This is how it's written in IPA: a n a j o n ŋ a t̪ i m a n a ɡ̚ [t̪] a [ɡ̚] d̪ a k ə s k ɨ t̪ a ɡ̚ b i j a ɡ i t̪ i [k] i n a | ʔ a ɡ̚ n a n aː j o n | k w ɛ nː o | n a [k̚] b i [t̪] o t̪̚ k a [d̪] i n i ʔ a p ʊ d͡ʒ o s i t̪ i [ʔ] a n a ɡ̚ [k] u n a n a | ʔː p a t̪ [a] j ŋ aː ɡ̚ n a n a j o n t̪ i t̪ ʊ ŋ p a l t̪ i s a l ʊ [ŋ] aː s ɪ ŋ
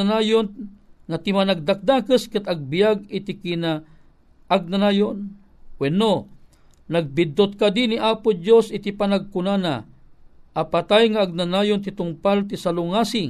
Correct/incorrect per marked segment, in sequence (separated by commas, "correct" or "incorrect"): incorrect, incorrect, correct, incorrect, incorrect, correct, incorrect, correct, correct, correct